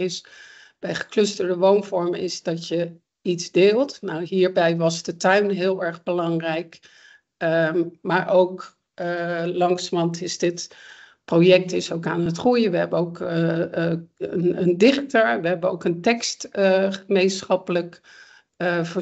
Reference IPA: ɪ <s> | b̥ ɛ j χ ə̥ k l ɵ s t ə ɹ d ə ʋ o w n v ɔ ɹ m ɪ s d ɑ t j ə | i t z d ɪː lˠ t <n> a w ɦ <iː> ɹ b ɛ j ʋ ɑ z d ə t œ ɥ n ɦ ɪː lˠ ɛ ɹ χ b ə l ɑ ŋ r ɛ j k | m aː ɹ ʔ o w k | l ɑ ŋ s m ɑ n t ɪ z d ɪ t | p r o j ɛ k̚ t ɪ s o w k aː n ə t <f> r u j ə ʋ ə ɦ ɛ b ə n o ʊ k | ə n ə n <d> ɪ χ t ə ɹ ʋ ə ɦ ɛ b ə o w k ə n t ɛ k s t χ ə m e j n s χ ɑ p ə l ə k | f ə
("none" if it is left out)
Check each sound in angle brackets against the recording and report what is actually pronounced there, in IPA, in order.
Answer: s, n, iː, χ, d

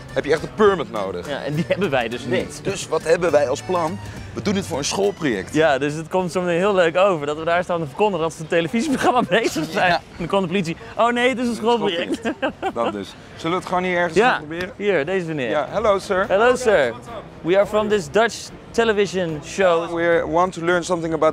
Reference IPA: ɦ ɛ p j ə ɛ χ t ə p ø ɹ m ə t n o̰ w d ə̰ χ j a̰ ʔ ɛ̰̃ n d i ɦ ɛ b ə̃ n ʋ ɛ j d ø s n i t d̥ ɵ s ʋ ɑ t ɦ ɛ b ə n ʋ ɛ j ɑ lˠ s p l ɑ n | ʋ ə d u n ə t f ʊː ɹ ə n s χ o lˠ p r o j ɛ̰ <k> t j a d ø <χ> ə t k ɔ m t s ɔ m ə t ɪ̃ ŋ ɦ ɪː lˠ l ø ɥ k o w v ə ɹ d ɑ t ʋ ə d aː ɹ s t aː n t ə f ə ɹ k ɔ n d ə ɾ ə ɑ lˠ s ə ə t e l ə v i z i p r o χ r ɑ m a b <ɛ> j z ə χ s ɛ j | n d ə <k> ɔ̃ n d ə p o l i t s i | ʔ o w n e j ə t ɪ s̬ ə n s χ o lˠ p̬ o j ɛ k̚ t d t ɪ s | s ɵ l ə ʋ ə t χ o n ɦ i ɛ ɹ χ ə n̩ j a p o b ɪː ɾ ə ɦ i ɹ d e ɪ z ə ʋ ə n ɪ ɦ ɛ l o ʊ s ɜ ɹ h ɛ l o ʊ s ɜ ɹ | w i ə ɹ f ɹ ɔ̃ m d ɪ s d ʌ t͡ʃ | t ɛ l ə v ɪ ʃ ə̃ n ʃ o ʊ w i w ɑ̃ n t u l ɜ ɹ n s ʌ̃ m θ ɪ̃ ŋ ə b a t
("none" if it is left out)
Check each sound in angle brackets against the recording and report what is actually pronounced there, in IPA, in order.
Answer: k, s, e, k

